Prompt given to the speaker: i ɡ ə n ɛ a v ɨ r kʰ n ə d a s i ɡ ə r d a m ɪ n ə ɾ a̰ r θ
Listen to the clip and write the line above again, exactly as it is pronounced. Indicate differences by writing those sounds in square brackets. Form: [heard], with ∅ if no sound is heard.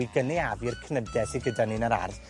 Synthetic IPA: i ɡ ə n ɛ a v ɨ r kʰ n ə d [ɛ] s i ɡ ə [∅] d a [n] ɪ n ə ɾ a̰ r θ